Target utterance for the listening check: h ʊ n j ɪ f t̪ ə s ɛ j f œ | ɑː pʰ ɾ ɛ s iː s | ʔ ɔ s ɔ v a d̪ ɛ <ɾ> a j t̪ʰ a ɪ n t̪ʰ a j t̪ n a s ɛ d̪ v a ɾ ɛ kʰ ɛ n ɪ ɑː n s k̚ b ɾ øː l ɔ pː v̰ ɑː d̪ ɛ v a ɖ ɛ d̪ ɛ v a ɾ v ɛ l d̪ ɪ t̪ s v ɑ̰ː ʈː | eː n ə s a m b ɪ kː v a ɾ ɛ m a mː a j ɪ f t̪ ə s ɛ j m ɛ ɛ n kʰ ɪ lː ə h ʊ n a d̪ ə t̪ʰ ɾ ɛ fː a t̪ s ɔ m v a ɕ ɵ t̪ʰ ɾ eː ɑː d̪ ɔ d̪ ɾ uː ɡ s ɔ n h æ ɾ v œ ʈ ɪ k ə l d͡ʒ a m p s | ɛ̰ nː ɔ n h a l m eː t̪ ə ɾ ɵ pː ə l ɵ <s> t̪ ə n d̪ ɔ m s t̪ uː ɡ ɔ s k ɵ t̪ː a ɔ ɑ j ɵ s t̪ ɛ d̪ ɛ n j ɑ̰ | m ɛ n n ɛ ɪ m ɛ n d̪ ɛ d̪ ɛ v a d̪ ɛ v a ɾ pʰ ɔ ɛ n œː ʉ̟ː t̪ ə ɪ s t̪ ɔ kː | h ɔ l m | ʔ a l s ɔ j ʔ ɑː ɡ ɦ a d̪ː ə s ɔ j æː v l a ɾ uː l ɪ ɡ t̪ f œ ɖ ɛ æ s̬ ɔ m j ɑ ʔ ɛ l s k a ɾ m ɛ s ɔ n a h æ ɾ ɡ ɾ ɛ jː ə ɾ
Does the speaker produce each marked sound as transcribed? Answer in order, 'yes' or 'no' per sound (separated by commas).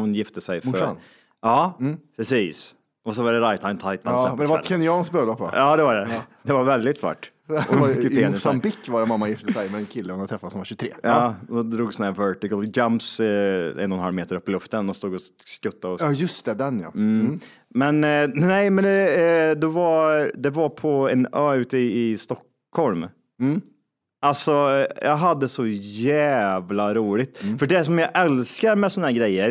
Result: yes, no